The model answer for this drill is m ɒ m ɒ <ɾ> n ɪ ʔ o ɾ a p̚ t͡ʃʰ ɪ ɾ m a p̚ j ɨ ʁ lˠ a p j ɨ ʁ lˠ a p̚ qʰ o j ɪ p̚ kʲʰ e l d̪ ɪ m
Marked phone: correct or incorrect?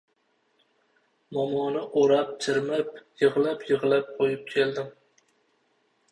incorrect: none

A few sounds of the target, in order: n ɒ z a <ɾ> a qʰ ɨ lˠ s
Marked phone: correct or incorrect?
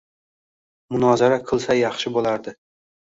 correct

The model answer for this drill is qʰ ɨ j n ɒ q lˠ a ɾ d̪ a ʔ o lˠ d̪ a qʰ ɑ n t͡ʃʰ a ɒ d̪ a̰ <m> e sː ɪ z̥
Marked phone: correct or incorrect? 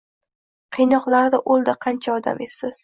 correct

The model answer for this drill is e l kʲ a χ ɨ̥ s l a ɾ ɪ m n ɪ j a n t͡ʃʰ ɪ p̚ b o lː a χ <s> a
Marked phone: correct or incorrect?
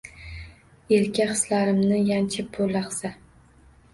correct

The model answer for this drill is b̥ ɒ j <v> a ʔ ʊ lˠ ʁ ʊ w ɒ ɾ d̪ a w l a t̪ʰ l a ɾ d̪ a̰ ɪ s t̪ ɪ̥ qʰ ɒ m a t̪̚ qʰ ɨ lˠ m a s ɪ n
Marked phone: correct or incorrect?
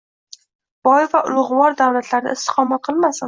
correct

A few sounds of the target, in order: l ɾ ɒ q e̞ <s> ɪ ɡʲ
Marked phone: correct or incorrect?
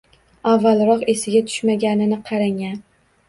correct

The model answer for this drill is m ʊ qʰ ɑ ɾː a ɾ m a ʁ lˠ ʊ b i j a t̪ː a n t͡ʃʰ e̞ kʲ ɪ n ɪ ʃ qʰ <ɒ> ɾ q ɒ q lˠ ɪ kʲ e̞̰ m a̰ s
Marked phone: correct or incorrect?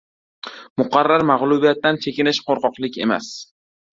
incorrect: o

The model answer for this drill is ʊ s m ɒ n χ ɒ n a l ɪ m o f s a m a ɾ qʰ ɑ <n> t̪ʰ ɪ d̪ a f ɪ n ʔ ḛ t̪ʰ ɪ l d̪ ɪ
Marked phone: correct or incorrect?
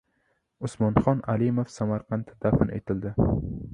correct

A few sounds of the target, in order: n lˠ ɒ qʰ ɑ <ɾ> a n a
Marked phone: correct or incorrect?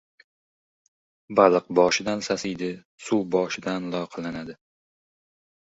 incorrect: l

